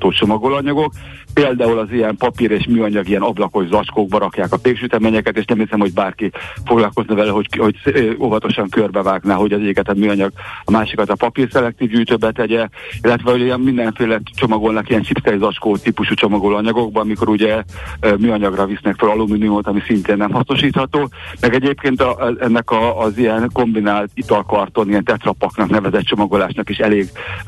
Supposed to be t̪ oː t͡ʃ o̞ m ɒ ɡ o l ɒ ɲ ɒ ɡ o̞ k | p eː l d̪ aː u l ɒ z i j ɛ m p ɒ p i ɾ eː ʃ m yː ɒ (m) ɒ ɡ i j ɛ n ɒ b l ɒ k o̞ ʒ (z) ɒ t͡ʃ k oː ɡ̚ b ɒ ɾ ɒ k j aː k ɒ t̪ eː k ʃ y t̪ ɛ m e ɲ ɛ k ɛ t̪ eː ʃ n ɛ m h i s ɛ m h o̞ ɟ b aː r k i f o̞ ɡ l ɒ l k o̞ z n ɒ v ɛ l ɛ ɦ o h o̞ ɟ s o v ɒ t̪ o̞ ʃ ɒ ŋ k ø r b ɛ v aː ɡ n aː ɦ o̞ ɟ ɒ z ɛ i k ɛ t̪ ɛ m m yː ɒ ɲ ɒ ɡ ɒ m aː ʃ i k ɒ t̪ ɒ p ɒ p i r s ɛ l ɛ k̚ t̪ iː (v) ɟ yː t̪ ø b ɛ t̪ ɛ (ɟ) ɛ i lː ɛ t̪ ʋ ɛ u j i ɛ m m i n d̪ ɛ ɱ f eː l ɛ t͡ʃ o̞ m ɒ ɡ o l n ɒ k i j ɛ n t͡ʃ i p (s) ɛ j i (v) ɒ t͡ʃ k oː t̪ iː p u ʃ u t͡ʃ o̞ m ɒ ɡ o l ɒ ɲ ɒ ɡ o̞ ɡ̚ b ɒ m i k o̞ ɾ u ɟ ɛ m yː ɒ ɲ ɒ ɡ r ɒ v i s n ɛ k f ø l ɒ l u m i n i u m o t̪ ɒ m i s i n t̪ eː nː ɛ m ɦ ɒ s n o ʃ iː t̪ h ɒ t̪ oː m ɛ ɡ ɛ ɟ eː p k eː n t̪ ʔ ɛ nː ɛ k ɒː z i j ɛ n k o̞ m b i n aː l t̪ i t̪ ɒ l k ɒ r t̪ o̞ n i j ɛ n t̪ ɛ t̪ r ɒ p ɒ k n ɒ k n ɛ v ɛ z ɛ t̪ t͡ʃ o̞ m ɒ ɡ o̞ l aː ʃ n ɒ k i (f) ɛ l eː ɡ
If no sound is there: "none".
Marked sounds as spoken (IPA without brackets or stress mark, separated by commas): ɲ, z, v, ɟ, s, z, ʃ